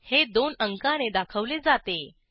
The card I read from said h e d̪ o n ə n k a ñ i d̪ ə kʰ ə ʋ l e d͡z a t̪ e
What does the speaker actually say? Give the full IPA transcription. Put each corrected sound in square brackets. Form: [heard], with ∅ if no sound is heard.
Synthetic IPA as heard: h e d̪ o n ə [ŋ] k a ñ [e] d̪ [a] kʰ ə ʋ l e d͡z a t̪ e